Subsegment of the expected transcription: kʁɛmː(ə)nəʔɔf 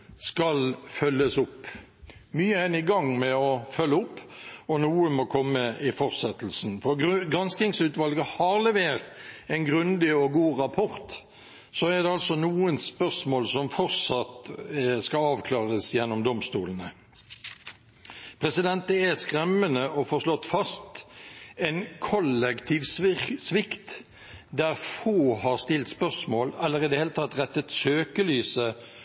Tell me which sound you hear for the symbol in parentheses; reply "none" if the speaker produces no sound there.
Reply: ə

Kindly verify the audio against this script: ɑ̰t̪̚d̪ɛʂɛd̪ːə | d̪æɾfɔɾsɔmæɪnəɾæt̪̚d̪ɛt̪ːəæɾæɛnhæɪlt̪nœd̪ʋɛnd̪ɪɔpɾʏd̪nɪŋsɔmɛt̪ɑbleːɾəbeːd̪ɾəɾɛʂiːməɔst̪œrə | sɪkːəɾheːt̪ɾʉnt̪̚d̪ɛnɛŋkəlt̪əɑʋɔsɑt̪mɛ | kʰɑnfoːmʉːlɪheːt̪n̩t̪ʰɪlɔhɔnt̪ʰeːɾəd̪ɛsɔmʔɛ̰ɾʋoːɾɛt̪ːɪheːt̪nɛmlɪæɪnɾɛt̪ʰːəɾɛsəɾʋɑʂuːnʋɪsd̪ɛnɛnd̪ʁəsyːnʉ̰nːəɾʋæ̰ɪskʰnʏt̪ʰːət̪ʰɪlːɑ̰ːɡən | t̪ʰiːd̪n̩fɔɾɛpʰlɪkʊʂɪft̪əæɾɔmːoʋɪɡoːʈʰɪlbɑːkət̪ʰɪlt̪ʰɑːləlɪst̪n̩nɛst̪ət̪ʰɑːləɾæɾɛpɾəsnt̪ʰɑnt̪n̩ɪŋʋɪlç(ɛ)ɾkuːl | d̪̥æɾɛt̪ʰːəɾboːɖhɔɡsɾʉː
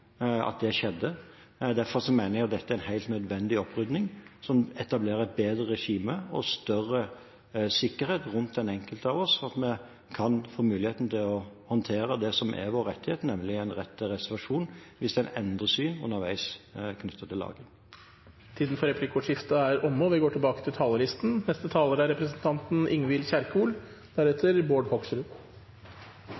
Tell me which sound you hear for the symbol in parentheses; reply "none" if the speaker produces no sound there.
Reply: æ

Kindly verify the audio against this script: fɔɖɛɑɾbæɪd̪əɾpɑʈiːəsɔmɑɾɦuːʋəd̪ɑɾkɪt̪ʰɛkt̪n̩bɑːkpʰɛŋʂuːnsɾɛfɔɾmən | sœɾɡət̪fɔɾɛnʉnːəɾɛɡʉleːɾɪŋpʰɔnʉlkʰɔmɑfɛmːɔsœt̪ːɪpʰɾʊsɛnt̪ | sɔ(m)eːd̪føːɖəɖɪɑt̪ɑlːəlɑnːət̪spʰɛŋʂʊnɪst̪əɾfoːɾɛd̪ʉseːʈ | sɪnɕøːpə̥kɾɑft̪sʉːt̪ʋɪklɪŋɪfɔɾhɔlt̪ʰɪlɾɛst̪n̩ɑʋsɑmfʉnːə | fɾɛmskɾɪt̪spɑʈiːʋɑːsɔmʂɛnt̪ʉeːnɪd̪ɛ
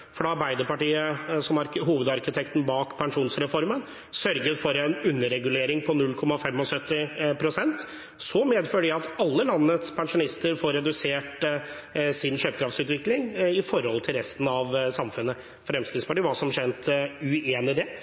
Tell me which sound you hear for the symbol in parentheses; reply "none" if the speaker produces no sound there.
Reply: m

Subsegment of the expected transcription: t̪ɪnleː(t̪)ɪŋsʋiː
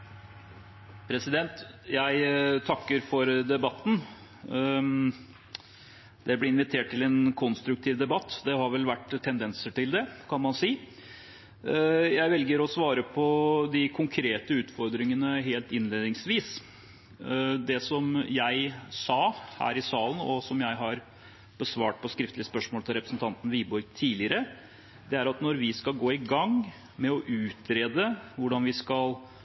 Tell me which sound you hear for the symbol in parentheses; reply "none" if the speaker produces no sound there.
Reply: d̪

